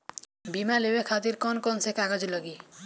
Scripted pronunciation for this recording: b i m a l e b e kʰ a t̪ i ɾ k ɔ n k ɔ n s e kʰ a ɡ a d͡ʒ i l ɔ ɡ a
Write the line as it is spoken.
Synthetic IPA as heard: b i m a l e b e kʰ a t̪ i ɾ k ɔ n k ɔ n s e k a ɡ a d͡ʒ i l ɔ ɡ i